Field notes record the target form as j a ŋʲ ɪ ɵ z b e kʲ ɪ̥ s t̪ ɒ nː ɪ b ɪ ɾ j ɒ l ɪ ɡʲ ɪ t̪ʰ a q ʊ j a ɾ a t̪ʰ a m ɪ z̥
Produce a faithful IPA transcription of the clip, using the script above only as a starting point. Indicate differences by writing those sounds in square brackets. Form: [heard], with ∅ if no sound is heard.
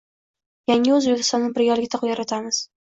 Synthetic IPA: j a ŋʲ ɪ ɵ z b e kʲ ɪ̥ s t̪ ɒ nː ɪ b ɪ ɾ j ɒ l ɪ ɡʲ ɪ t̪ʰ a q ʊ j a ɾ a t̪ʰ a m ɪ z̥